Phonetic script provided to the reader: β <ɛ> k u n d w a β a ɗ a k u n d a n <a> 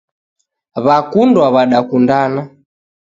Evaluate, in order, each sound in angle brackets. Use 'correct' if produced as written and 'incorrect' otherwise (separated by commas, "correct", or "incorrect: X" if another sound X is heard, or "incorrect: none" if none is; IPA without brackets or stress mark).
incorrect: a, correct